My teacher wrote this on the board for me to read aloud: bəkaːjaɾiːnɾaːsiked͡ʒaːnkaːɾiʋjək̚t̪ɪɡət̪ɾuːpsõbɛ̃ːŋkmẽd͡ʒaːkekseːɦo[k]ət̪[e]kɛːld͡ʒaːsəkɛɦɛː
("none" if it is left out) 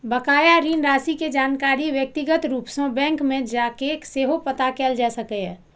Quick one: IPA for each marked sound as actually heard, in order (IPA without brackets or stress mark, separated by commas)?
p, a